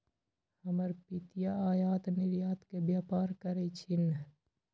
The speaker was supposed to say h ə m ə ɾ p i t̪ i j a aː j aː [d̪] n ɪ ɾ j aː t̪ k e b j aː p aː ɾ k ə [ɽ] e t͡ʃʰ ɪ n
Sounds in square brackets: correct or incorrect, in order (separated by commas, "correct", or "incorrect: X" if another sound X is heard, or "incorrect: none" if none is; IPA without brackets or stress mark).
incorrect: t̪, incorrect: ɾ